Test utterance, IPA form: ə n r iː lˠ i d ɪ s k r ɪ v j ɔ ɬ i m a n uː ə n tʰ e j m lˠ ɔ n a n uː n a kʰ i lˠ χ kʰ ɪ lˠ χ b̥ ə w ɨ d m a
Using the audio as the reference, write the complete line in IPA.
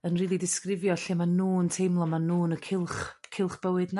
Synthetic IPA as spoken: ə n r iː lˠ i d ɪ s k r ɪ v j ɔ ɬ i m a n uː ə n tʰ e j m lˠ ɔ m a n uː n ə kʰ ɪ lˠ χ kʰ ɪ lˠ χ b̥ ə w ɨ d n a

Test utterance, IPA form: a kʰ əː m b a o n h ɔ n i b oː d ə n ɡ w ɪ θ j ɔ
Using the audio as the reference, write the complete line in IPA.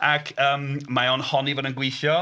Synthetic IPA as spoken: a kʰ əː m m a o n h ɔ n i v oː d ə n ɡ w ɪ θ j ɔ

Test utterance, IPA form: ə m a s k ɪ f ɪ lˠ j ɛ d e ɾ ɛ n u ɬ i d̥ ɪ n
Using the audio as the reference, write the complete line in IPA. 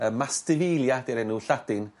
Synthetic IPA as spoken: ə m a s t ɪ v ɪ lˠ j a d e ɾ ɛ n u ɬ a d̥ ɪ n

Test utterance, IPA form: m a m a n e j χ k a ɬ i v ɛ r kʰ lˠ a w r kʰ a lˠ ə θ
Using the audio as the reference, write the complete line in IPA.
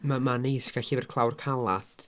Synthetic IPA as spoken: m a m a n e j s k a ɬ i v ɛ r kʰ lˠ a w r kʰ a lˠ a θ

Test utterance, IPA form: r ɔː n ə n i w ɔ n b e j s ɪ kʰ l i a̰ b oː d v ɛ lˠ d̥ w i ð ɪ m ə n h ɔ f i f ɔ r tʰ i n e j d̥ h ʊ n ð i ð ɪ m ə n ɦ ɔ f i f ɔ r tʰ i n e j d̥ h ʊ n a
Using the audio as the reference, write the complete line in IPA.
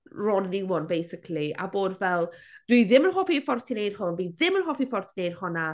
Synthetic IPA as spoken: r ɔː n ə n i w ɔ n b e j s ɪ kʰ l i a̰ b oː d v ɛ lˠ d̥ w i ð ɪ m ə n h ɔ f i f ɔ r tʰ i n e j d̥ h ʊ n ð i ð ɪ m ə n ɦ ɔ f i f ɔ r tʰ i n e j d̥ h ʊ n a

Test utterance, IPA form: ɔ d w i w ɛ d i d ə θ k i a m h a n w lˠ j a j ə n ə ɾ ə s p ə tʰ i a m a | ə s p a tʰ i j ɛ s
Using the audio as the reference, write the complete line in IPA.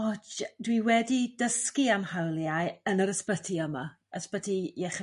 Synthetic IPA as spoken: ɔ d w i w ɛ d i d ə s k i a m h a w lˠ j a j ə n ə ɾ ə s p ə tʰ i ə m a | ə s p ə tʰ i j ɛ χ

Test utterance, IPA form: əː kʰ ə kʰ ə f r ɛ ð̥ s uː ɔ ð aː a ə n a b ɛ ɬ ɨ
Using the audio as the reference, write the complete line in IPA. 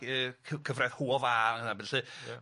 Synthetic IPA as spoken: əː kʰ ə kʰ ə v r ɛ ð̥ h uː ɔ v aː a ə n a b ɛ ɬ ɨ

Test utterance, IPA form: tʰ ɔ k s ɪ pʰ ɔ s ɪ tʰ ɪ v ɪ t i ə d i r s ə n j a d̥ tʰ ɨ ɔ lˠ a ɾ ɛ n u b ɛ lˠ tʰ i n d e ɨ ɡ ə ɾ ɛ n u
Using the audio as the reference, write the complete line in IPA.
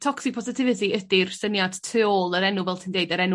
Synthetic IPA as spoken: tʰ ɔ k s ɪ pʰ ɔ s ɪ tʰ ɪ v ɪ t i ə d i r s ə n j a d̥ tʰ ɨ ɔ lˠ ə ɾ ɛ n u v ɛ lˠ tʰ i n d e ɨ d ə ɾ ɛ n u

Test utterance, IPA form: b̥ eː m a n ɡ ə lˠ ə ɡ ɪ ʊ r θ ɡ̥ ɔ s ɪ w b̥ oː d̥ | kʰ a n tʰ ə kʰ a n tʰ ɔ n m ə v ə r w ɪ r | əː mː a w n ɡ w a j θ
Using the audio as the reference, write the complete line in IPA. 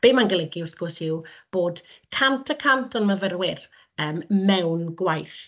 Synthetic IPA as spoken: b̥ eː m a n ɡ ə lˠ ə ɡ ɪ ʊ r θ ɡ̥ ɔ s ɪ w b̥ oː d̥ | kʰ a n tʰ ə kʰ a n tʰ ɔ n m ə v ə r w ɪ r | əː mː ɛ w n ɡ w a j θ

